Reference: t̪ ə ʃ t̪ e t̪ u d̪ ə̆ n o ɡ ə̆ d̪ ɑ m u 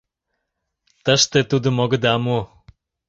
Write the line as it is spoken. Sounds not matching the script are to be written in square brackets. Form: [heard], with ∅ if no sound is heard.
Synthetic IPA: t̪ ə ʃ t̪ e t̪ u d̪ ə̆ [m] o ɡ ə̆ d̪ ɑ m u